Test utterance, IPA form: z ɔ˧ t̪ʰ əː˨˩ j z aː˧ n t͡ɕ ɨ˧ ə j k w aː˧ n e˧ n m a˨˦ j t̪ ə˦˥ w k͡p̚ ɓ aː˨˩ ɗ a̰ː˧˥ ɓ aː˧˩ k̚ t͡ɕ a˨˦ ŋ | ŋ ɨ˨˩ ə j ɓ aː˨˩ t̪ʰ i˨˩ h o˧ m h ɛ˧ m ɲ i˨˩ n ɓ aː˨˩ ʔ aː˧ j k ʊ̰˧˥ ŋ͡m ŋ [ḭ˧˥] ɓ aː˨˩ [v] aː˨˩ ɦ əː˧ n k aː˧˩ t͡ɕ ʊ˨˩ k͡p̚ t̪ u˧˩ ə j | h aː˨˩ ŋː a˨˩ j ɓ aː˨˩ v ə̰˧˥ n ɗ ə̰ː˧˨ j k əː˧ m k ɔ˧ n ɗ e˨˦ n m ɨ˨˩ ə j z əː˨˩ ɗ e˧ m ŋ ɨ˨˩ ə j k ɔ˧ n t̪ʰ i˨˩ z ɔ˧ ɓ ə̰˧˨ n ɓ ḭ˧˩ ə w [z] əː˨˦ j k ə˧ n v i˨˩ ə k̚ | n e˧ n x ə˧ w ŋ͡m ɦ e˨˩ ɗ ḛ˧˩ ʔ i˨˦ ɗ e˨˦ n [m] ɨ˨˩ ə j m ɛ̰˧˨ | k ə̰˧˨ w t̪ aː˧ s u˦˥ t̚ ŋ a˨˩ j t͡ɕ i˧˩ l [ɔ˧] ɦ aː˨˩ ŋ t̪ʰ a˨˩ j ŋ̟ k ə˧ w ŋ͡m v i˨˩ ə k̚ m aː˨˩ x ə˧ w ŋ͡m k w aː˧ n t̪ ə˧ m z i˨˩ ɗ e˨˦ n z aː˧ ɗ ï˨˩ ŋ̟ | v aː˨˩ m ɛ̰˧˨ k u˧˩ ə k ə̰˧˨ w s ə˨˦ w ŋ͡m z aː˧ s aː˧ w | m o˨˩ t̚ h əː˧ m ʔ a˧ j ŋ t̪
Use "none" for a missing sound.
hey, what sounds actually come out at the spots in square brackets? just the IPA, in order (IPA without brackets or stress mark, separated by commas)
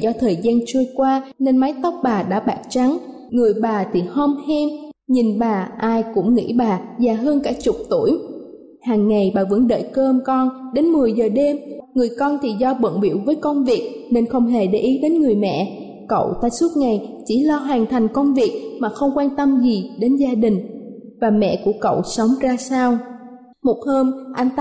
ḭ˧˥, z, v, ŋ, ɔ˧